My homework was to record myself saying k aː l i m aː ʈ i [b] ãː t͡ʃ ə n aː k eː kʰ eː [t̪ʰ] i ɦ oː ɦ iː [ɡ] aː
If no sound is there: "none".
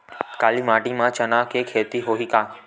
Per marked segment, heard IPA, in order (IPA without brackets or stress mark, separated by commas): m, t̪, k